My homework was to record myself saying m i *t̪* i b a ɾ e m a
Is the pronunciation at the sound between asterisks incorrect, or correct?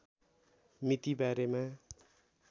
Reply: correct